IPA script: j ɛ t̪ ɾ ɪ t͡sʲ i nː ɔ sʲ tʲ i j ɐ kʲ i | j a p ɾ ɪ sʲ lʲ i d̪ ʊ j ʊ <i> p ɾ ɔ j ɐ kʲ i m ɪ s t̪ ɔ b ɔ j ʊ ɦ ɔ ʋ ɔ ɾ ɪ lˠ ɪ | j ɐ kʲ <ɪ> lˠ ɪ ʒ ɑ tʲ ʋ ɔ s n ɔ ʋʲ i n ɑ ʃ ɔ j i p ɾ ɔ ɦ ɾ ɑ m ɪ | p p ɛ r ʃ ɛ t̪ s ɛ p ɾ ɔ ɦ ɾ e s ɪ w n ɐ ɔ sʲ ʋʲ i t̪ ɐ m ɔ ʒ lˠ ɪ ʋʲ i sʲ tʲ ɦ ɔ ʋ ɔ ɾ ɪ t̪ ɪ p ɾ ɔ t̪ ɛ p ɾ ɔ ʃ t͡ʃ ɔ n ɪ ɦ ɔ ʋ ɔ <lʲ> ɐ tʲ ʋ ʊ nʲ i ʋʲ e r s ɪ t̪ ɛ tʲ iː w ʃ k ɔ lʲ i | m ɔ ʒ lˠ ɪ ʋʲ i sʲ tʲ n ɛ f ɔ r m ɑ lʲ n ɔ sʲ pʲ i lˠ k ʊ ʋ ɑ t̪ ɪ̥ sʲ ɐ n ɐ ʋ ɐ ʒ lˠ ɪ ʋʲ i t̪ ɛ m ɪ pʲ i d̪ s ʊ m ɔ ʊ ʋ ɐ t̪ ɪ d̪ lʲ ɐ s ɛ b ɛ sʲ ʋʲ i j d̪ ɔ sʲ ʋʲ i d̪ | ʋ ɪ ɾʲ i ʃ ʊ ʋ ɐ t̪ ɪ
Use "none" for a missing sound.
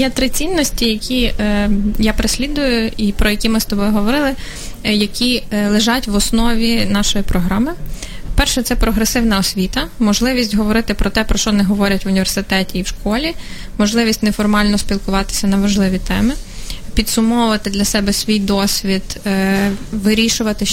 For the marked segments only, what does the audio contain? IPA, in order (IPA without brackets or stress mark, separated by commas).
i, i, ɾʲ